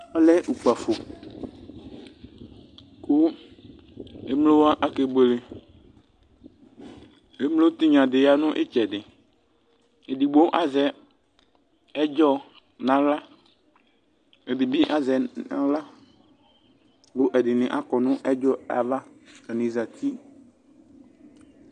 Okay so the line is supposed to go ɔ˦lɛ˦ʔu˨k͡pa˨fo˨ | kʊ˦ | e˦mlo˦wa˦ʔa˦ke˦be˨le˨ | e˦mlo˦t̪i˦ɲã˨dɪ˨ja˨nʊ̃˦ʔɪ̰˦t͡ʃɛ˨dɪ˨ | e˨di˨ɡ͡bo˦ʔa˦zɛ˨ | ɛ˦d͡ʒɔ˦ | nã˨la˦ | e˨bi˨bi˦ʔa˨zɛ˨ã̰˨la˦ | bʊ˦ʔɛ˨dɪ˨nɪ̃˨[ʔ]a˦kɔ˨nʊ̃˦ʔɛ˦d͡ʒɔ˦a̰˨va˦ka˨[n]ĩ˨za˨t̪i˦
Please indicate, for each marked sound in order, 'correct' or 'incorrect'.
correct, correct

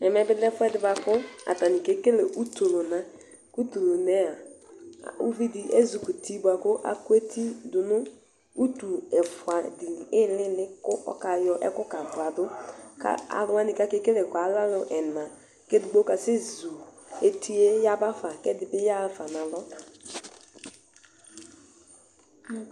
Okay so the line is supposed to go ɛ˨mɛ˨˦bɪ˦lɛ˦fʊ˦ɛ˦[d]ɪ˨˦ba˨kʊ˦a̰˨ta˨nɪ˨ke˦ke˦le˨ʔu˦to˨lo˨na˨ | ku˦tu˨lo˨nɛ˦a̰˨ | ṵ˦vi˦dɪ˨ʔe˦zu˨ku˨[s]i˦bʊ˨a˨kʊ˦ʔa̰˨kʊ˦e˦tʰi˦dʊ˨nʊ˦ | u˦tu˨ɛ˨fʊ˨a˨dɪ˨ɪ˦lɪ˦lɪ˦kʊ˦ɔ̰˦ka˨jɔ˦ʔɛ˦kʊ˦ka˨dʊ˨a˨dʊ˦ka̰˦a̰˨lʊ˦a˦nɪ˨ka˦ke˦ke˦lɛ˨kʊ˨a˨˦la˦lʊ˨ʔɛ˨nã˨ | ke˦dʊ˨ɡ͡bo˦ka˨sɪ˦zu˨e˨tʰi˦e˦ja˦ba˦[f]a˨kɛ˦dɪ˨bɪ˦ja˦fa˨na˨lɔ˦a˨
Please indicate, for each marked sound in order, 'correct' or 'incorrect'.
correct, incorrect, correct

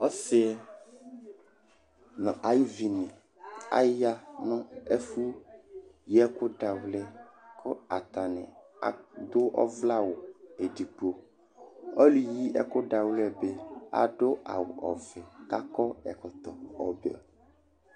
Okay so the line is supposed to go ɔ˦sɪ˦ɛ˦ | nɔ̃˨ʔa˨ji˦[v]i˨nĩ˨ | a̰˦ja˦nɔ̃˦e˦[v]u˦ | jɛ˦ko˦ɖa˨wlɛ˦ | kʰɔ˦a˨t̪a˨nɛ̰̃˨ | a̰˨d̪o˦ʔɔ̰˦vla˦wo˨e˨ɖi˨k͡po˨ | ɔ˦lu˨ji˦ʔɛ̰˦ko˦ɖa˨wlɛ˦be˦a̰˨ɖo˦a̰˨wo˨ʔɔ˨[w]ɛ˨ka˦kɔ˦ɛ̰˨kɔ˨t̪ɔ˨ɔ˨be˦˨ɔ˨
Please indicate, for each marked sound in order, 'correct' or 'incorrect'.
correct, incorrect, incorrect

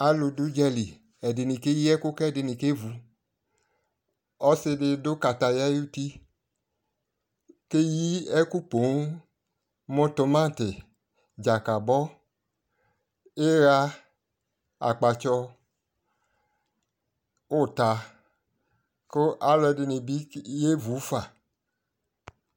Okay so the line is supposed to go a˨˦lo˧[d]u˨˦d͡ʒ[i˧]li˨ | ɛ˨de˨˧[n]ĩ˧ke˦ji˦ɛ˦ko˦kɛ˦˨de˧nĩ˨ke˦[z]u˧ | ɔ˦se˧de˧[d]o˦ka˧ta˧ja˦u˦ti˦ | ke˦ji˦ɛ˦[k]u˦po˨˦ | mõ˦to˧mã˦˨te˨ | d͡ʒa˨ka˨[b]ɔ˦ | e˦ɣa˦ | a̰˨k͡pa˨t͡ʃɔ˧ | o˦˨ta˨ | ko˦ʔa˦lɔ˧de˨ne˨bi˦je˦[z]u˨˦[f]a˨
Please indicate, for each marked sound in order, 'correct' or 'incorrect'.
correct, incorrect, correct, incorrect, correct, correct, correct, incorrect, correct

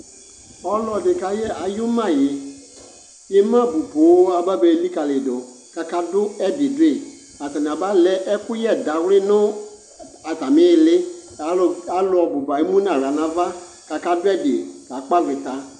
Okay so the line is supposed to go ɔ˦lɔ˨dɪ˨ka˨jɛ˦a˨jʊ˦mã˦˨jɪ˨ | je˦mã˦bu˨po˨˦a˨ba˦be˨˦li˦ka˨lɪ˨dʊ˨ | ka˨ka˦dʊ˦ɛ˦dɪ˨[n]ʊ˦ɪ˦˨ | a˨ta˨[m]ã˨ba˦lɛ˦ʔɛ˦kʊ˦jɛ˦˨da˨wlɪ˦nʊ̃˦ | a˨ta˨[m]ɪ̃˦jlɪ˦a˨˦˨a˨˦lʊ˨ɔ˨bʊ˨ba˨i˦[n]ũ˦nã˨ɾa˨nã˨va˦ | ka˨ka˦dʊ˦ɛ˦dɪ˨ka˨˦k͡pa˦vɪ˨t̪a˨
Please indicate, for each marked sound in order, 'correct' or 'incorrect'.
incorrect, incorrect, correct, incorrect

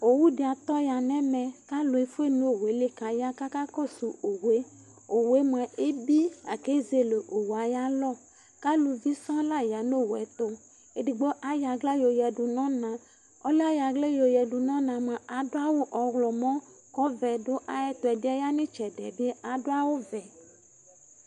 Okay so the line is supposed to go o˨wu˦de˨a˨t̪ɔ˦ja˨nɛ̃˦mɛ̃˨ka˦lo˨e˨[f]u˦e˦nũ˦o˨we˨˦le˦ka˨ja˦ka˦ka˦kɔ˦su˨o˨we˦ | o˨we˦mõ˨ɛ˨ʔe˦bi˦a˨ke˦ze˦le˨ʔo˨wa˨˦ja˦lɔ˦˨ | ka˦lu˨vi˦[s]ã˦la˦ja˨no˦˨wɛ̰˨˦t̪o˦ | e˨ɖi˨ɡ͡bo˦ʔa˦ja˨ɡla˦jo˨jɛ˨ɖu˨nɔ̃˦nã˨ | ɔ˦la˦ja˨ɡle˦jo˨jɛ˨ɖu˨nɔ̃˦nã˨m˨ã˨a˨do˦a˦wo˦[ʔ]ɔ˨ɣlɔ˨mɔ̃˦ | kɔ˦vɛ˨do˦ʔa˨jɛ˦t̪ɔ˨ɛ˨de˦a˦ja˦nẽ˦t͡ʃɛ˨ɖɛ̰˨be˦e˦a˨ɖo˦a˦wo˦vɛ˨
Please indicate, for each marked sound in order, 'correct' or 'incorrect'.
correct, correct, correct

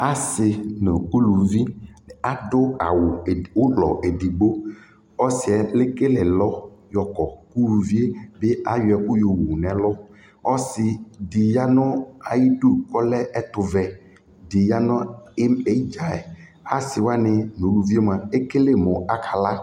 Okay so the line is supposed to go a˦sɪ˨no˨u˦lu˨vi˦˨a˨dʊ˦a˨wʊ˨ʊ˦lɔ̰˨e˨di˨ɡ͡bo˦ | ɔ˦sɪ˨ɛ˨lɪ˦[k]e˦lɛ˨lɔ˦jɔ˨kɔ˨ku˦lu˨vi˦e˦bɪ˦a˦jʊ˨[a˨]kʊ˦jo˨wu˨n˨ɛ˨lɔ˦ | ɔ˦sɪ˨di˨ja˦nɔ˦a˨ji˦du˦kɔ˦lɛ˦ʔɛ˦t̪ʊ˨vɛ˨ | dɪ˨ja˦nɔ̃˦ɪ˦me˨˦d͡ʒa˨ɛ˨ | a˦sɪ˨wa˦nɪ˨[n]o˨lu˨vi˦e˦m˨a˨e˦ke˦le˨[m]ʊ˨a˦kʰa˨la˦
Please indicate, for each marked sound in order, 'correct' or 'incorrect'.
correct, incorrect, correct, correct

